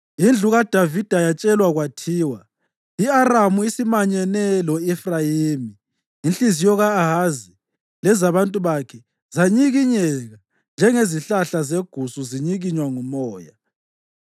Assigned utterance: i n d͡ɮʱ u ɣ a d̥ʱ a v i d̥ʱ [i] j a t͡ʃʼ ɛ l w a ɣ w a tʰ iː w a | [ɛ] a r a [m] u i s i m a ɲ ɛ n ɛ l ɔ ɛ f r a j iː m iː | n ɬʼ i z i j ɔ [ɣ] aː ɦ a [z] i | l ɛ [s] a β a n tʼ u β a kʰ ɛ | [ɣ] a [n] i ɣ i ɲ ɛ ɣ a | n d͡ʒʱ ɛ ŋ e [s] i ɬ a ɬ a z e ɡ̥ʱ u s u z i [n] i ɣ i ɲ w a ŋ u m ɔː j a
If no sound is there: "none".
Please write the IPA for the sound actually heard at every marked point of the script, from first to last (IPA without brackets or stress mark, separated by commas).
a, i, m, ɣ, z, z, z, ɲ, z, ɲ